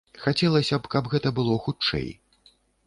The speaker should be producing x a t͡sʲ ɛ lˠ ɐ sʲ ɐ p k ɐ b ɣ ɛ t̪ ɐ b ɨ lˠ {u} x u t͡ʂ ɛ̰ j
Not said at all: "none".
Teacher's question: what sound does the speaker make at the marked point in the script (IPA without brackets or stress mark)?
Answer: ɔ